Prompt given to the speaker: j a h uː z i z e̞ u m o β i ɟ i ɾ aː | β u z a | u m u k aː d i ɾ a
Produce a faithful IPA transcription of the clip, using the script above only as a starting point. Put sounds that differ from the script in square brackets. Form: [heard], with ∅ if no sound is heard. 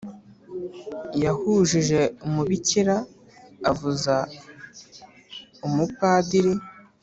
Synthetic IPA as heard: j a h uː [ʒ] i [ʒ] e̞ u m [u] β i [c] i ɾ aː | [v] u z a | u m u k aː d i ɾ [i]